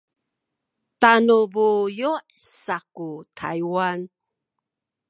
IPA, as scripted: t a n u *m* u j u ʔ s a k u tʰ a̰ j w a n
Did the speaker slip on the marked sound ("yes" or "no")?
yes